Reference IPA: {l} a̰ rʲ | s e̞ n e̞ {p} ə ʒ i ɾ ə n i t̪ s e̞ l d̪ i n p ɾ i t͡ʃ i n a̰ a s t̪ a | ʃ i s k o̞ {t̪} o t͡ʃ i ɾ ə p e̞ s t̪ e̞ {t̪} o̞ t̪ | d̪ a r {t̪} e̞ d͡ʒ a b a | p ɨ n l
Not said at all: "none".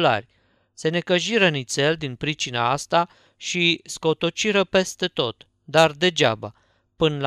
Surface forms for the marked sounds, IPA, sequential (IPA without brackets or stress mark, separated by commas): l, k, t̪, t̪, d̪